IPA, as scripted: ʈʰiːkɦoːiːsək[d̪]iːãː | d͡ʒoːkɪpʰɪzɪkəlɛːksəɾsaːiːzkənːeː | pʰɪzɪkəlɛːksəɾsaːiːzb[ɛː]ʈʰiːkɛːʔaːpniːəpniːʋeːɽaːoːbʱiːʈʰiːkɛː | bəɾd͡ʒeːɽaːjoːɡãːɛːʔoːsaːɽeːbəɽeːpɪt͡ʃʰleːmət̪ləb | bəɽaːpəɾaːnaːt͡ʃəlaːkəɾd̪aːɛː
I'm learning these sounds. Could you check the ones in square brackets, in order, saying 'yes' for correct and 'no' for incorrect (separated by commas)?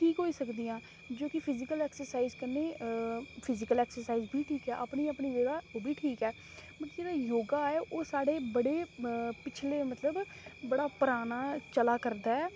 yes, no